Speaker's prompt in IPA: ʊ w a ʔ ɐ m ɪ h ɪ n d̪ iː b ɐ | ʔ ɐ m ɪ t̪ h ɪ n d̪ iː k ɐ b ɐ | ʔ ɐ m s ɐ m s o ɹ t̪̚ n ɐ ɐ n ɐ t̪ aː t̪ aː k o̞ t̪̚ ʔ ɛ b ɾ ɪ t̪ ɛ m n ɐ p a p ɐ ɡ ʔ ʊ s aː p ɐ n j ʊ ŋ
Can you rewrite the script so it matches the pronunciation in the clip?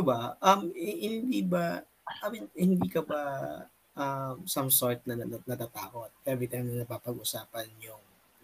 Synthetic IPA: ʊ b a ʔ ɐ m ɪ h ɪ n d̪ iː b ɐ | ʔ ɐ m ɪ h ɪ n d̪ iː k ɐ b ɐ | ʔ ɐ m s ɐ m s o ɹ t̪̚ n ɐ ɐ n ɐ t̪ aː t̪ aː k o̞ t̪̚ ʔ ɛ b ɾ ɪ t̪ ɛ ŋ n ɐ p a p ɐ ɡ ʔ ʊ s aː p ɐ n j ʊ ŋ